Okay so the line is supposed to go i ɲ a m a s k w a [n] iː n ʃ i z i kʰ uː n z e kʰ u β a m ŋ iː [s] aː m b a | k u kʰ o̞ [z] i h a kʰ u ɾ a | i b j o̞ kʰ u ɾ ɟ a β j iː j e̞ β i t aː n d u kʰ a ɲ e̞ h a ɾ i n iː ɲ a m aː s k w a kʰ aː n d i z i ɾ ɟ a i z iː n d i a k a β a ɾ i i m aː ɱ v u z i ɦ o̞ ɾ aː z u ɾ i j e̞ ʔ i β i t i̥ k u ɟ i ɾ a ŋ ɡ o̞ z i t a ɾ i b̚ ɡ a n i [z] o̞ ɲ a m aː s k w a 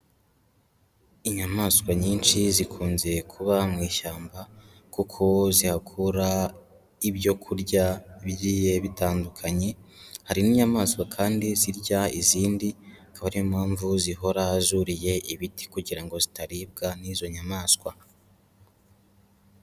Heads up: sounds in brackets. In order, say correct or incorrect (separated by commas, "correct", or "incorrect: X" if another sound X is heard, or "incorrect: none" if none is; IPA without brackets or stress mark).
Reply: incorrect: ɲ, incorrect: ʃ, correct, correct